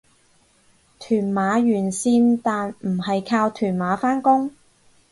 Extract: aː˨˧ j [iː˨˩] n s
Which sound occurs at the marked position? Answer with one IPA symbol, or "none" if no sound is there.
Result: yː˨˩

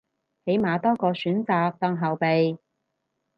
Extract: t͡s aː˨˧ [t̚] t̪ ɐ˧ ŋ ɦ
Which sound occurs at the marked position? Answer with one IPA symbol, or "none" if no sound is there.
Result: k̚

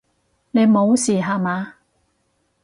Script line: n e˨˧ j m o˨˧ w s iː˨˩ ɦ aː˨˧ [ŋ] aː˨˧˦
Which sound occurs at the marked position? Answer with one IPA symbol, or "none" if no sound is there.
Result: m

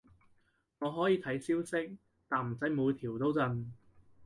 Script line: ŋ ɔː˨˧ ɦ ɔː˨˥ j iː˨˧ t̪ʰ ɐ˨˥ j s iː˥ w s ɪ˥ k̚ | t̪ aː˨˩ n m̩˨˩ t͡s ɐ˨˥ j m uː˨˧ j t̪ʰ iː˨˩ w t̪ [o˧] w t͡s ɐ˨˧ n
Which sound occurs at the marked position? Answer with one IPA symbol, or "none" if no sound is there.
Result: o˥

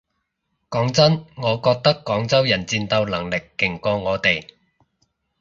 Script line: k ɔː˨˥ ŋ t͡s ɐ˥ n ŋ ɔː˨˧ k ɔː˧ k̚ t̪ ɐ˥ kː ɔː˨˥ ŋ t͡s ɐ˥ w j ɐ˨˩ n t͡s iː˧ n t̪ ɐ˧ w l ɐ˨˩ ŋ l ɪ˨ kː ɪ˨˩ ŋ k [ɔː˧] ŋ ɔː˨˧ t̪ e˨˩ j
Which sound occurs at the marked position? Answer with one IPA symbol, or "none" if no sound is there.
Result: ɔː˧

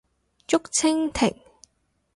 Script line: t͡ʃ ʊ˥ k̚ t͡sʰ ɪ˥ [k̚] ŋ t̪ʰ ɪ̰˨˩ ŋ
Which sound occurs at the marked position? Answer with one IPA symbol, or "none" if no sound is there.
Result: none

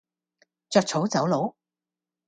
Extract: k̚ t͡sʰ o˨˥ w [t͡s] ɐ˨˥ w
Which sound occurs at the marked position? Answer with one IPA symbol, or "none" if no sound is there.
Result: t͡s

